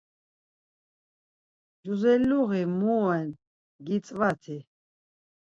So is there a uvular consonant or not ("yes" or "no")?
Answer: no